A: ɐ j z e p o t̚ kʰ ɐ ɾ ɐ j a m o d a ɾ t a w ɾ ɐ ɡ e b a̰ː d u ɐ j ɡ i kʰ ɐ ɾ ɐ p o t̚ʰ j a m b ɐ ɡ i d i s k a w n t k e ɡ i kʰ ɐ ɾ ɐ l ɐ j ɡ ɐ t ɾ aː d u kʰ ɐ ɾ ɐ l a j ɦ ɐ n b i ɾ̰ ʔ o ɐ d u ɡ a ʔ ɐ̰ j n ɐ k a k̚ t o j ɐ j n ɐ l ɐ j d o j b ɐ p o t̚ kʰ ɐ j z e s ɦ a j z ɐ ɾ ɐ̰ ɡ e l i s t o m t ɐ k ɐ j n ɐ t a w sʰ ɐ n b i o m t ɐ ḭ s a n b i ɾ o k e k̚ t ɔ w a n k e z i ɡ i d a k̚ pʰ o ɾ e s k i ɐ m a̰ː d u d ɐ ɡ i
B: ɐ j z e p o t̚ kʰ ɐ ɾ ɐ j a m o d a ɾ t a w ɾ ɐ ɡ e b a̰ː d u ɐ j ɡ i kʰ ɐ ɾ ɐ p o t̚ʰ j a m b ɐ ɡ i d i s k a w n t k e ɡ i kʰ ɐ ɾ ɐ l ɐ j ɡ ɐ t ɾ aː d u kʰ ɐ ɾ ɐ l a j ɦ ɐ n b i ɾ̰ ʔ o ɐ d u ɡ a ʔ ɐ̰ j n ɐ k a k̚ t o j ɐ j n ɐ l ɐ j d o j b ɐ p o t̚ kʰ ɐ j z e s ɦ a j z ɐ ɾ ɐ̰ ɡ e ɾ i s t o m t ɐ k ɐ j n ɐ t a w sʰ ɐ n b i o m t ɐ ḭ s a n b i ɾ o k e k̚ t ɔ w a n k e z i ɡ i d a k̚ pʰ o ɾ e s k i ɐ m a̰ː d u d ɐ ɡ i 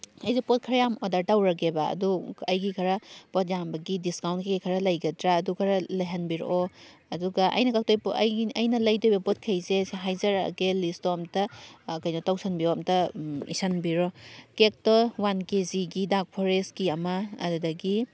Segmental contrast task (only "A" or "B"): A